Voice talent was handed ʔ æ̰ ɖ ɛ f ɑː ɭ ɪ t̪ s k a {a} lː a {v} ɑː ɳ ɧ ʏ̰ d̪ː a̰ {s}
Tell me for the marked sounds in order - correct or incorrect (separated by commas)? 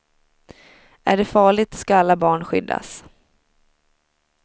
correct, incorrect, correct